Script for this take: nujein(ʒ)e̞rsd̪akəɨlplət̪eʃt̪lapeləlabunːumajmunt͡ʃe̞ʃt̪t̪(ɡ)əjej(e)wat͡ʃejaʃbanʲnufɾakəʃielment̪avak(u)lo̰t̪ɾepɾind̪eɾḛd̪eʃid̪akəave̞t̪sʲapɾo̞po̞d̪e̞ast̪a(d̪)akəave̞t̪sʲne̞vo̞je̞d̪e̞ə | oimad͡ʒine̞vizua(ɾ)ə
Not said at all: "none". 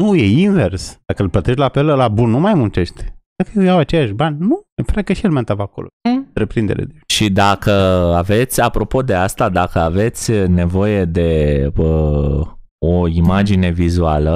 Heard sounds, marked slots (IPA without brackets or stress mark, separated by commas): v, k, a, o, d̪, l